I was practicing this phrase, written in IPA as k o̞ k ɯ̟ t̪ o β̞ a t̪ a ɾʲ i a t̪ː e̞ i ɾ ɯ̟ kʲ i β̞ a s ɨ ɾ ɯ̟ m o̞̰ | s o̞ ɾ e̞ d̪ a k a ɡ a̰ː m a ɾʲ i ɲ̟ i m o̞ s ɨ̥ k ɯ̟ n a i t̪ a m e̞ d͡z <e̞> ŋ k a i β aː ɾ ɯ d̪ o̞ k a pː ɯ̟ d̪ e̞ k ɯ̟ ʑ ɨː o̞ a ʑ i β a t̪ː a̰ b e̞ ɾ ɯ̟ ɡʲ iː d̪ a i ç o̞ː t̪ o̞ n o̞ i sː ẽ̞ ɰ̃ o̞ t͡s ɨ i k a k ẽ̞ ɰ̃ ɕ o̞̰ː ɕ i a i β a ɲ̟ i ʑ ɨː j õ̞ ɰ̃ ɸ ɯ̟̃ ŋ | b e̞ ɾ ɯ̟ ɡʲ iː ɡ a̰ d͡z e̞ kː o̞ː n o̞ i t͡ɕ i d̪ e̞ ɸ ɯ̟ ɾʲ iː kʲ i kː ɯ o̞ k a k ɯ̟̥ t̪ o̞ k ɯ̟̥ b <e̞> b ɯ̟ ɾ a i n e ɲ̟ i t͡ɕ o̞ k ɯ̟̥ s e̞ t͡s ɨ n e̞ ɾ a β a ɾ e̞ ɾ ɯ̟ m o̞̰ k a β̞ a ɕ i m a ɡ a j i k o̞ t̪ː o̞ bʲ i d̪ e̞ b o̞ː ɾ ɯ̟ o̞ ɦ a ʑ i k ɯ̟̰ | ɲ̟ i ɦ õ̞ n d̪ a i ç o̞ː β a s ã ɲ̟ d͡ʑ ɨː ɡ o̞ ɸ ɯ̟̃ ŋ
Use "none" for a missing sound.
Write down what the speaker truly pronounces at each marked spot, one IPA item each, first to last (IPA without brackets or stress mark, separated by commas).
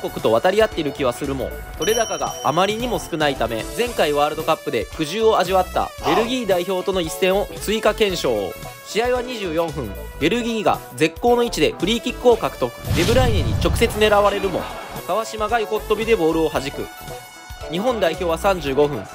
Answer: ẽ̞, e̞